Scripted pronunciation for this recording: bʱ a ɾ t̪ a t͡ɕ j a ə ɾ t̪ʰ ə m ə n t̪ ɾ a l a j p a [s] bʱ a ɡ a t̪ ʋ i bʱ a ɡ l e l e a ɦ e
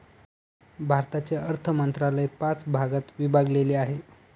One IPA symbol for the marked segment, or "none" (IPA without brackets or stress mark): t͡s